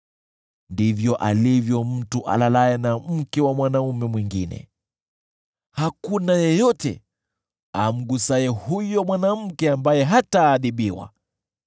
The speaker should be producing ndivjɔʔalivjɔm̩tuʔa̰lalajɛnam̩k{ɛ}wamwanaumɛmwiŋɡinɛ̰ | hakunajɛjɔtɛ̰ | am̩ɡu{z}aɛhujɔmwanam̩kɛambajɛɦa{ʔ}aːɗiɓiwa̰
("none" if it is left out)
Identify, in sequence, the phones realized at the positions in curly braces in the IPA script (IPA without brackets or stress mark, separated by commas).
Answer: ɛ, s, t